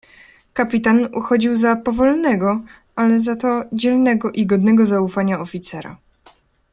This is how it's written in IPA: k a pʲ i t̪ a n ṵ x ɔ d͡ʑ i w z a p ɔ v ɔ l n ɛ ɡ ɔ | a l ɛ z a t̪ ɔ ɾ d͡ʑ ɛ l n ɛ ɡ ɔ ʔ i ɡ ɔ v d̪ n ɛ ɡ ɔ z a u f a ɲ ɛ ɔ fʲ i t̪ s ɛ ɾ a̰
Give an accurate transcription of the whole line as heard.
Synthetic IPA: k a pʲ i t̪ a n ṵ x ɔ d͡ʑ i w z a p ɔ v ɔ l n ɛ ɡ ɔ | a l ɛ z a t̪ ɔ d͡ʑ ɛ l n ɛ ɡ ɔ ʔ i ɡ ɔ d̪ n ɛ ɡ ɔ z a u f a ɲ a ɔ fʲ i t̪ s ɛ ɾ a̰

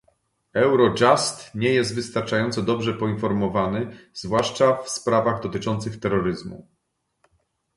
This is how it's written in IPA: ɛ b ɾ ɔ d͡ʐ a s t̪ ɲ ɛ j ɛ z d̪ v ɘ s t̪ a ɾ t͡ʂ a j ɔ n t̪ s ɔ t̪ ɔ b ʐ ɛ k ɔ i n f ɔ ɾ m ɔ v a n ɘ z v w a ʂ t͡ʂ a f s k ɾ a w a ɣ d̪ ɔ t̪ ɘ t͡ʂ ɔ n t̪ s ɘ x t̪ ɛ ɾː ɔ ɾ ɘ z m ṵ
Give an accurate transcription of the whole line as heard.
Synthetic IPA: ɛ w ɾ ɔ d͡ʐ a s t̪ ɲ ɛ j ɛ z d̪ v ɘ s t̪ a ɾ t͡ʂ a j ɔ n t̪ s ɔ d̪ ɔ b ʐ ɛ p ɔ i n f ɔ ɾ m ɔ v a n ɘ z v w a ʂ t͡ʂ a f s p ɾ a v a ɣ d̪ ɔ t̪ ɘ t͡ʂ ɔ n t̪ s ɘ x t̪ ɛ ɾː ɔ ɾ ɘ z m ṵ

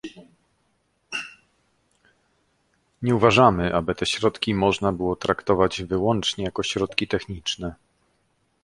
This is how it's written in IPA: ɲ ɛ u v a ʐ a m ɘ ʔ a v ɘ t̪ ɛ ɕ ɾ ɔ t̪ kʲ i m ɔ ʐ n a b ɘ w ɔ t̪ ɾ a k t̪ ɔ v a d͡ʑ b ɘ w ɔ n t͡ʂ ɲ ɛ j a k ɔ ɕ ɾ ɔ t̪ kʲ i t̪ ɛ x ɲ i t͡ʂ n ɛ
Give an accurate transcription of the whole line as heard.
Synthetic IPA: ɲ ɛ u v a ʐ a m ɘ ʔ a b ɘ t̪ ɛ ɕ ɾ ɔ t̪ kʲ i m ɔ ʐ n a b ɘ w ɔ t̪ ɾ a k t̪ ɔ v a d͡ʑ v ɘ w ɔ n t͡ʂ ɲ ɛ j a k ɔ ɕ ɾ ɔ t̪ kʲ i t̪ ɛ x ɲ i t͡ʂ n ɛ

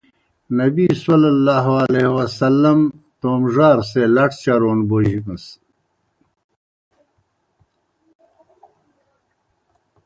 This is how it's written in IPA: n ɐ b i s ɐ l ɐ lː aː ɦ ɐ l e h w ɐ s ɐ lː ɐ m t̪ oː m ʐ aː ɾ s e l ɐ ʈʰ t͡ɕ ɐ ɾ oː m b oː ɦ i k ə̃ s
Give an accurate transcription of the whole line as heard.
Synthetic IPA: n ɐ b i s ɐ l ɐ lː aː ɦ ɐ l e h w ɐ s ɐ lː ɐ m t̪ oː m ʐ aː ɾ s e l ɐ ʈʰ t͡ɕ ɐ ɾ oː n b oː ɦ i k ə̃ s

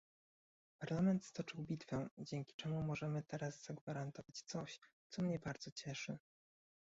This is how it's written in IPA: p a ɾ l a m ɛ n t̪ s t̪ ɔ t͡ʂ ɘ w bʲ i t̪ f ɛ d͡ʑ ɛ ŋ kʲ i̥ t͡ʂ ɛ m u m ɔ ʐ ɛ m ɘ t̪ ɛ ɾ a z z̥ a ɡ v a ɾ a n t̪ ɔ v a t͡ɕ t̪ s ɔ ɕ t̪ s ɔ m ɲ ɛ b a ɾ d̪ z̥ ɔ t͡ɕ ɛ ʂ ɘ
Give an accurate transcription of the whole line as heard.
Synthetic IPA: p a ɾ l a m ɛ n t̪ s t̪ ɔ t͡ʂ ɘ w bʲ i t̪ f ɛ d͡ʑ ɛ ŋ kʲ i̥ t͡ʂ ɛ m u m ɔ ʐ ɛ m ɘ t̪ ɛ ɾ a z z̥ a ɡ v a ɾ a n t̪ ɔ v a t͡ɕ t̪ s ɔ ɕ t̪ s ɔ m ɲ ɛ b a ɾ d̪ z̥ ɔ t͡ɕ ɛ ʂ ɘ

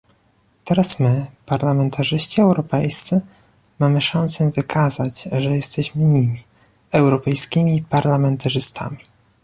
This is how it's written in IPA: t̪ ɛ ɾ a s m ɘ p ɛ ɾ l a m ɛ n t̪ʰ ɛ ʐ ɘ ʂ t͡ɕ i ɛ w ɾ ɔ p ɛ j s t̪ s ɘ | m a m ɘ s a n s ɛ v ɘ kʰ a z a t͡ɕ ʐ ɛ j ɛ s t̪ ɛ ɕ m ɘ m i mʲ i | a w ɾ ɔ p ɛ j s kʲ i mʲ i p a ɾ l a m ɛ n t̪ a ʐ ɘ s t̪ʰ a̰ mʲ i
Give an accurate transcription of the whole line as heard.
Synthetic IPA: t̪ ɛ ɾ a s m ɘ p a ɾ l a m ɛ n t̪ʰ a ʐ ɘ ɕ t͡ɕ i ɛ w ɾ ɔ p ɛ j s t̪ s ɘ | m a m ɘ ʂ a n s ɛ v ɘ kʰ a z a t͡ɕ ʐ ɛ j ɛ s t̪ ɛ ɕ m ɘ ɲ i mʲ i | ɛ w ɾ ɔ p ɛ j s kʲ i mʲ i p a ɾ l a m ɛ n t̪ a ʐ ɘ s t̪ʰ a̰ mʲ i

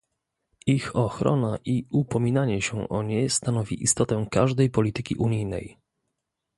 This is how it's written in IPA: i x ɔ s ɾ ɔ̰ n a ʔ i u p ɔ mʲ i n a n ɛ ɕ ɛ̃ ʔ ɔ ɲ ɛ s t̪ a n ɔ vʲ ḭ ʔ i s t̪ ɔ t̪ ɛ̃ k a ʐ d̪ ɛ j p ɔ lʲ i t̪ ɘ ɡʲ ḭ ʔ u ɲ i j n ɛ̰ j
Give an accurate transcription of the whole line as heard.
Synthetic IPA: i x ɔ x ɾ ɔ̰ n a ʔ i u p ɔ mʲ i n a ɲ ɛ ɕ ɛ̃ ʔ ɔ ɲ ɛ s t̪ a n ɔ vʲ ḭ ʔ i s t̪ ɔ t̪ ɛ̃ k a ʐ d̪ ɛ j p ɔ lʲ i t̪ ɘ kʲ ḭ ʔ u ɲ i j n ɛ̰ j

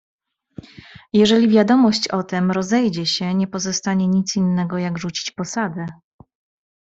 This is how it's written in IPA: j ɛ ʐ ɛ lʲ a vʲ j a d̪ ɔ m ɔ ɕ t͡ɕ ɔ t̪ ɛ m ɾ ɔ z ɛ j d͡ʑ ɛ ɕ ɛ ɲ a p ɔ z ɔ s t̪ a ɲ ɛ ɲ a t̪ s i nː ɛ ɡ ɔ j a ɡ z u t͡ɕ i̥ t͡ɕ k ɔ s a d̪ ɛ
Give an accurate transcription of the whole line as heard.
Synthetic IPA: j ɛ ʐ ɛ lʲ i vʲ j a d̪ ɔ m ɔ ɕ t͡ɕ ɔ t̪ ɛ m ɾ ɔ z ɛ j d͡ʑ ɛ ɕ ɛ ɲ ɛ p ɔ z ɔ s t̪ a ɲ ɛ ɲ i t̪ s i nː ɛ ɡ ɔ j a ɡ ʐ u t͡ɕ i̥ t͡ɕ p ɔ s a d̪ ɛ

